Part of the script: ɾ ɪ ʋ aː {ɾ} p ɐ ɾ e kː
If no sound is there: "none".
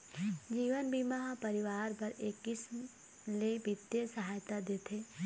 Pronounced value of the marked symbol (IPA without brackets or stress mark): ɾ